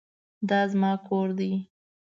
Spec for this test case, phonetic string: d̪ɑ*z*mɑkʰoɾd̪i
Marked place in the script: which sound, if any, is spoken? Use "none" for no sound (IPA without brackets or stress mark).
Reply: z